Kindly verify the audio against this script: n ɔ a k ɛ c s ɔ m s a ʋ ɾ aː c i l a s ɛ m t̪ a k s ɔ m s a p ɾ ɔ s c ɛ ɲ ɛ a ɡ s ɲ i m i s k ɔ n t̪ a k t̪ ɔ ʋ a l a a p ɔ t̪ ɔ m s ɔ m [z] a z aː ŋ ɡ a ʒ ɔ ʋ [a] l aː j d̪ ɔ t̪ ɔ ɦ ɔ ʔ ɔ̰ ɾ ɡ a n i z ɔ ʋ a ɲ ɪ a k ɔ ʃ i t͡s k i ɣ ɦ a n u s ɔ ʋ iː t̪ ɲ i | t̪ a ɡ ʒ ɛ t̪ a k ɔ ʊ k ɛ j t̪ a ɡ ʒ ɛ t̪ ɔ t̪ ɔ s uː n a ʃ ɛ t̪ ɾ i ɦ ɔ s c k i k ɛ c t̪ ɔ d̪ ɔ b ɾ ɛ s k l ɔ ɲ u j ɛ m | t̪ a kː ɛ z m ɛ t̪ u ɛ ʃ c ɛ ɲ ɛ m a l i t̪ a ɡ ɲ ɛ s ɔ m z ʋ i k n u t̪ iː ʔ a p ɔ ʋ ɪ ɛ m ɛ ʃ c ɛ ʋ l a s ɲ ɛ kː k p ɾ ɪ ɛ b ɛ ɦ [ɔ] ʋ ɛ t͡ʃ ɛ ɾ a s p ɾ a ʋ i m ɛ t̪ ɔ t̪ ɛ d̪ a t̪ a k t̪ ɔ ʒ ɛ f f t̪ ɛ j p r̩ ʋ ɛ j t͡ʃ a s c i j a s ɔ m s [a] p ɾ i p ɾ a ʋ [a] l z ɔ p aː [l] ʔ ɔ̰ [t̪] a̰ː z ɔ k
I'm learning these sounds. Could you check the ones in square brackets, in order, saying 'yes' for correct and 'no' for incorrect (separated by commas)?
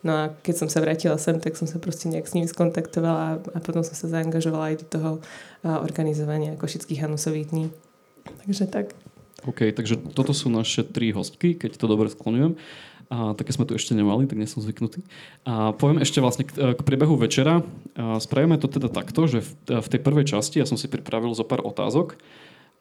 no, yes, no, no, no, no, yes